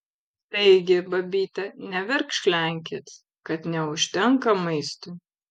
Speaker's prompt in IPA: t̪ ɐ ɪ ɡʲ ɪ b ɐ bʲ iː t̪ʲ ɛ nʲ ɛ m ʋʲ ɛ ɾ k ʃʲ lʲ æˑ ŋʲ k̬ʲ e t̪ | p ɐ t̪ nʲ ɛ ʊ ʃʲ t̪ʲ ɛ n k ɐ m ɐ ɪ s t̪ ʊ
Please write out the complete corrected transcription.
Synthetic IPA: t̪ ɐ ɪ ɡʲ ɪ b ɐ bʲ iː t̪ʲ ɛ nʲ ɛ ʋʲ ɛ ɾ k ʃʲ lʲ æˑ ŋʲ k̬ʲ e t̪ | k ɐ t̪ nʲ ɛ ʊ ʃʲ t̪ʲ ɛ ŋ k ɐ m ɐ ɪ s t̪ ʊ